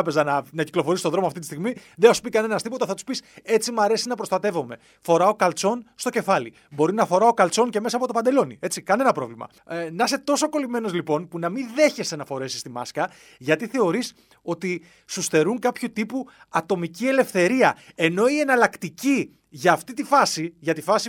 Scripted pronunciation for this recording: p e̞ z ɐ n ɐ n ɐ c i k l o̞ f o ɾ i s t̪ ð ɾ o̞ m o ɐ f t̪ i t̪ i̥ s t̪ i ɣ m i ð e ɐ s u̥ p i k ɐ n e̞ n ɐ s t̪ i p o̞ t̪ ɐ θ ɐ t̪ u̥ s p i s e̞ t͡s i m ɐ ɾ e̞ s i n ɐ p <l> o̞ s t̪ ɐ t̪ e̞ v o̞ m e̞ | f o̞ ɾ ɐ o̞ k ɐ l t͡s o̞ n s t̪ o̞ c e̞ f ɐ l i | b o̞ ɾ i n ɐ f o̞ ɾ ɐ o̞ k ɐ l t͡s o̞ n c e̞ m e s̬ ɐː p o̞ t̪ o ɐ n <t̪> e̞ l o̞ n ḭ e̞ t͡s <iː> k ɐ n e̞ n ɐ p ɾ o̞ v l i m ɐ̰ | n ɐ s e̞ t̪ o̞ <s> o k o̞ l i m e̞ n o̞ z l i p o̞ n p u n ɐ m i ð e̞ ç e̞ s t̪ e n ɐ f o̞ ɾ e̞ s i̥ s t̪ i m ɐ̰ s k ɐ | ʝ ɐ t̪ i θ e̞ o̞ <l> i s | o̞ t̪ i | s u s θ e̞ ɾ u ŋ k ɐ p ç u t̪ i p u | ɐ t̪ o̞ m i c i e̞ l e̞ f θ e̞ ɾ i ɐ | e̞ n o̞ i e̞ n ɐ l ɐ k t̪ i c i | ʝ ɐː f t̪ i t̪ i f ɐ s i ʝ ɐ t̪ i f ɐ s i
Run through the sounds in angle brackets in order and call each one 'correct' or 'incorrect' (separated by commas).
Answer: incorrect, incorrect, incorrect, correct, incorrect